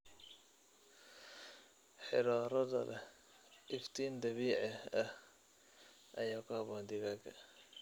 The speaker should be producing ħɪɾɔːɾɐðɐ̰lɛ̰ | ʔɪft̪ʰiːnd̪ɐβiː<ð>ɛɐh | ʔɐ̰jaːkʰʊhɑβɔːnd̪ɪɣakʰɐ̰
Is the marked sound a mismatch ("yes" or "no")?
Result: yes